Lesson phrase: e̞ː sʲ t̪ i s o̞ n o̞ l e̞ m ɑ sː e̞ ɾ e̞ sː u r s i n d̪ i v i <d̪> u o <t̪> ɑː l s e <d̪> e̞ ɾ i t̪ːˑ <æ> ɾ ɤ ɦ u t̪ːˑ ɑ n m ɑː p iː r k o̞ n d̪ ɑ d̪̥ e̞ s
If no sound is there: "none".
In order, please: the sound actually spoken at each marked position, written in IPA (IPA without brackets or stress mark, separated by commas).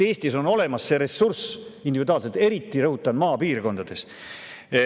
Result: d̪, none, t̪, i